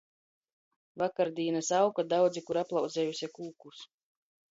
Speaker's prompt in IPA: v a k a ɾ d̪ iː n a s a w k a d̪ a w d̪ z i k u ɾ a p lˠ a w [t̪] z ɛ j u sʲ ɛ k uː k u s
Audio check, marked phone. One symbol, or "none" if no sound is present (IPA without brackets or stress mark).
d̪